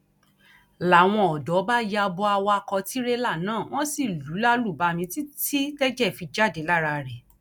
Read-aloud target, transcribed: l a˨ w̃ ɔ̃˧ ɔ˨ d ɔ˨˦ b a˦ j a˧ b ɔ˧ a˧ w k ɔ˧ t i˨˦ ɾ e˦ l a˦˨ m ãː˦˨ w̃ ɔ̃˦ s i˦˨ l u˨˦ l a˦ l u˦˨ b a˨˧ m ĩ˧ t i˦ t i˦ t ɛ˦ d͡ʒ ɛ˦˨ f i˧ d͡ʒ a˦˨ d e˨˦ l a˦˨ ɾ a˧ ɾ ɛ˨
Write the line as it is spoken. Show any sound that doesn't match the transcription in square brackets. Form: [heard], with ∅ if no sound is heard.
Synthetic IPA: l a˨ w̃ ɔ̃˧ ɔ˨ d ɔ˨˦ b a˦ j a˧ b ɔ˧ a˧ w k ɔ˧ t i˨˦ ɾ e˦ l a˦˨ [n] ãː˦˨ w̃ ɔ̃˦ s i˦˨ l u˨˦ l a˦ l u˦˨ b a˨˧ m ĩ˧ t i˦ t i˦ t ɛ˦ d͡ʒ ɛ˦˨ f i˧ d͡ʒ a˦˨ d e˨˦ l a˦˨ ɾ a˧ ɾ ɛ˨